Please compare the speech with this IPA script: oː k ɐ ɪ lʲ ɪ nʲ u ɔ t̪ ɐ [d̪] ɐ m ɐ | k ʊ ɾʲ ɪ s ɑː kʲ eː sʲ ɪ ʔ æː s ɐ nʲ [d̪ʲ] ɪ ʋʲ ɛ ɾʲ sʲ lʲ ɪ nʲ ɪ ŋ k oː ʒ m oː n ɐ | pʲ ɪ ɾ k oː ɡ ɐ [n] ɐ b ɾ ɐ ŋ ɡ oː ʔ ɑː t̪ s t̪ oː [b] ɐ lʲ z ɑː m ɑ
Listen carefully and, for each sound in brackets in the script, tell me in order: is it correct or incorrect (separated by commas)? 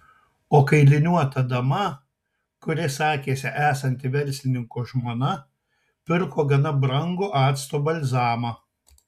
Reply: correct, incorrect, correct, correct